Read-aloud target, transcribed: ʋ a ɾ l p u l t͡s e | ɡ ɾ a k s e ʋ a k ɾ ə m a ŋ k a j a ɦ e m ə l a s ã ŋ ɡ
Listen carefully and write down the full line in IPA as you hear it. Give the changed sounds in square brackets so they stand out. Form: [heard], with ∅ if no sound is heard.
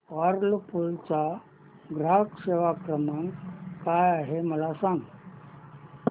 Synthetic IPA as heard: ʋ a ɾ l p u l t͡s [a] | ɡ ɾ a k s e ʋ a k ɾ ə m a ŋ k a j a ɦ e m ə l a s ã ŋ ɡ